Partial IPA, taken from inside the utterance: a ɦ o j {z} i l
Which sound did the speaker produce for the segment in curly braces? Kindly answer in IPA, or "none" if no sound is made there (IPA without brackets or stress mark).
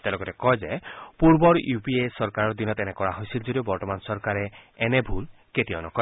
s